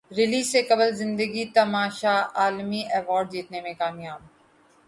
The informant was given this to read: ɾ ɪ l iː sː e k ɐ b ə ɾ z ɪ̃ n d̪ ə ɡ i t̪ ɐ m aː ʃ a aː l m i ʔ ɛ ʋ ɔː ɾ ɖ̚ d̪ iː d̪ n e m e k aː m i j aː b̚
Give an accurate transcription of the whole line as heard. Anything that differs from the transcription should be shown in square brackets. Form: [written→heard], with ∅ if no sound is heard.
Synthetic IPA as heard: ɾ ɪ l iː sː e k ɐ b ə [ɾ→l] z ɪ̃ n d̪ ə ɡ i t̪ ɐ m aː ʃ a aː l m i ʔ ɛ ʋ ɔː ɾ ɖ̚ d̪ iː [d̪→t̪] n e m [e→ẽ] k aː m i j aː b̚

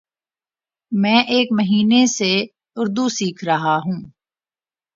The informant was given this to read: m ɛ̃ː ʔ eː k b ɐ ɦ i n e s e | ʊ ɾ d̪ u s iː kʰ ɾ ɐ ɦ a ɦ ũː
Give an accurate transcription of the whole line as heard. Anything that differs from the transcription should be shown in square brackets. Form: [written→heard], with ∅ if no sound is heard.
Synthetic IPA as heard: m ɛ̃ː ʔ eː k [b→m] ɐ ɦ [i→iː] n e s e | ʊ ɾ d̪ u s iː kʰ ɾ ɐ ɦ a ɦ ũː

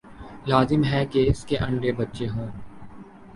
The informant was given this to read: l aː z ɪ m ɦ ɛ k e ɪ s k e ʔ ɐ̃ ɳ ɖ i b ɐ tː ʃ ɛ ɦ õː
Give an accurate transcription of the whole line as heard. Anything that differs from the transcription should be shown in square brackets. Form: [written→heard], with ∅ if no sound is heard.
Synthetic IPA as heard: l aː z ɪ m ɦ ɛ k e ɪ s k e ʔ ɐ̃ ɳ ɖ [i→e] b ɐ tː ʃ [ɛ→e] ɦ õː

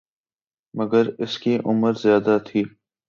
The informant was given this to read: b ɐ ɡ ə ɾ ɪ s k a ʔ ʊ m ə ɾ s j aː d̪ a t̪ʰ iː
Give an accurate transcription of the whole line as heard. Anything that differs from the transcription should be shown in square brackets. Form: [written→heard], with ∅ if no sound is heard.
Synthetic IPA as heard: [b→m] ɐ ɡ ə ɾ ɪ s k [a→i] ʔ ʊ m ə ɾ [s→z] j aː d̪ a t̪ʰ iː

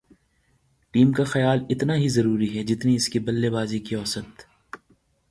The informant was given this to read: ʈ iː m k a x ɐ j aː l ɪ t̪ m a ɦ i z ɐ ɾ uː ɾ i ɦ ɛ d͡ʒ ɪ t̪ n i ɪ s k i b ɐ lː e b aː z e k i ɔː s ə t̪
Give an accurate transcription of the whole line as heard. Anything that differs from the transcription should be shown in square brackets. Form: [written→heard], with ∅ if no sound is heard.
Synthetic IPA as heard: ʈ iː m k a x ɐ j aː l ɪ t̪ [m→n] a ɦ i z ɐ ɾ uː ɾ i ɦ ɛ d͡ʒ ɪ t̪ n i ɪ s k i b ɐ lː e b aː z [e→i] k i ɔː s ə t̪

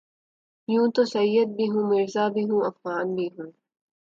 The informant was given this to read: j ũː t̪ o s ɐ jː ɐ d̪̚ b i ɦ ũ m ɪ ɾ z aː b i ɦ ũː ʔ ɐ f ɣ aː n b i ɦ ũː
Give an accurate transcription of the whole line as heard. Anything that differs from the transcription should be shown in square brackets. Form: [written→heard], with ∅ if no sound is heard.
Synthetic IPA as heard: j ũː t̪ o s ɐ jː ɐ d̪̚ b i ɦ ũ m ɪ ɾ z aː b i ɦ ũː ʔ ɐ f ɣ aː n b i ɦ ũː

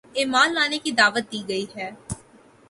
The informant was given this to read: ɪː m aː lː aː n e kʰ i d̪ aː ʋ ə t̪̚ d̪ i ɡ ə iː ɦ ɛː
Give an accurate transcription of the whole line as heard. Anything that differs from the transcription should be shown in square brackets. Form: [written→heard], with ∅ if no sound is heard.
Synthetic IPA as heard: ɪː m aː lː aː n e [kʰ→k] i d̪ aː ʋ ə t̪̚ d̪ [i→iː] ɡ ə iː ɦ ɛː

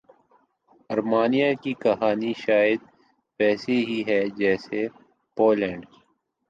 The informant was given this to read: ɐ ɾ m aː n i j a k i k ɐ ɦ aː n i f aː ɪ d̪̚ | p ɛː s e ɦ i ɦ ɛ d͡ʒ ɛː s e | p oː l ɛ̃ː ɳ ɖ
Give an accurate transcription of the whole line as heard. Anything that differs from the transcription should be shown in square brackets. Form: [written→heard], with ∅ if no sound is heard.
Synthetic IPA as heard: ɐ ɾ m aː n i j a k i k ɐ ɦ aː n i [f→ʃ] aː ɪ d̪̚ | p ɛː s e ɦ i ɦ ɛ d͡ʒ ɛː s e | p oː l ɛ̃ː ɳ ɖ

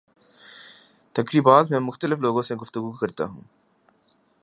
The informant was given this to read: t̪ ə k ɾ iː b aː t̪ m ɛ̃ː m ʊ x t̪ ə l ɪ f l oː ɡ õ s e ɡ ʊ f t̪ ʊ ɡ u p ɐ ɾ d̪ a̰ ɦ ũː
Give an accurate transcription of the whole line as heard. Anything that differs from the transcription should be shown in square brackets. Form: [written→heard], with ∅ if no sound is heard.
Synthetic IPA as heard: t̪ [ə→ɐ] k ɾ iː b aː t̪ m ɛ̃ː m ʊ x t̪ ə l ɪ f l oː ɡ õ s e ɡ ʊ f t̪ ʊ ɡ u [p→k] ɐ ɾ [d̪→t̪] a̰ ɦ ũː

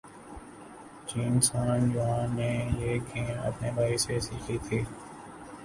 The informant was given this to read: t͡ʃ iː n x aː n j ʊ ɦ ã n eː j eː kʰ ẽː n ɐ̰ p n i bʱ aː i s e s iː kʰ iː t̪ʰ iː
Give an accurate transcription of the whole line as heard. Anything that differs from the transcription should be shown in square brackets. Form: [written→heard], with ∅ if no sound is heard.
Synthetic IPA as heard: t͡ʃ iː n [x→s] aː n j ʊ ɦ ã n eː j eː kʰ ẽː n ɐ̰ p n [i→e] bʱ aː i s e s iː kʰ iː t̪ʰ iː

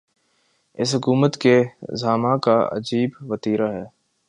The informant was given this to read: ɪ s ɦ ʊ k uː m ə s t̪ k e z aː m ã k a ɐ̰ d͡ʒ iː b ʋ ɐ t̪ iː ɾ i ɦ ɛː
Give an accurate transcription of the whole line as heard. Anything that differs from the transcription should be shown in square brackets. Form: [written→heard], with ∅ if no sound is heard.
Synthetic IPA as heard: ɪ s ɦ ʊ k uː m ə [s→∅] t̪ k e z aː m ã k a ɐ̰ d͡ʒ iː b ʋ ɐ t̪ iː ɾ [i→a] ɦ ɛː

